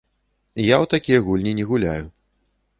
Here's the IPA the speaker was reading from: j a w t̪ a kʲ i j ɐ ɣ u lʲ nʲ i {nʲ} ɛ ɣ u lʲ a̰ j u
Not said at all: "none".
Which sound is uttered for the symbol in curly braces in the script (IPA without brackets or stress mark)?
nʲ